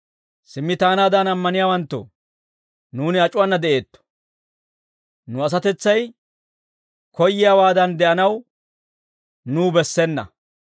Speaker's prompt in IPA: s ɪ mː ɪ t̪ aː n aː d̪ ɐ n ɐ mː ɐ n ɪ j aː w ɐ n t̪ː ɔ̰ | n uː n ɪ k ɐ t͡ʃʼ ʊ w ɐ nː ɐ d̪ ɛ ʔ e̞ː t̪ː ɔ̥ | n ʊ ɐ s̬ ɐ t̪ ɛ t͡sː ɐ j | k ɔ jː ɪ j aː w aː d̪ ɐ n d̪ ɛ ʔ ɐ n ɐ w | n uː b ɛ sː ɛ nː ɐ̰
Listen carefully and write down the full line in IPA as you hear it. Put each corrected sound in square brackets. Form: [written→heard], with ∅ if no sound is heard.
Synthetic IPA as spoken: s ɪ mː ɪ t̪ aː n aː d̪ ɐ n ɐ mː ɐ n ɪ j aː w ɐ n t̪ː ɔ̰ | n uː n ɪ [k→∅] ɐ t͡ʃʼ ʊ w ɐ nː ɐ d̪ ɛ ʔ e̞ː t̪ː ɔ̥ | n ʊ ɐ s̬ ɐ t̪ ɛ t͡sː ɐ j | k ɔ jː ɪ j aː w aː d̪ ɐ n d̪ ɛ ʔ ɐ n ɐ w | n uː b ɛ sː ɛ nː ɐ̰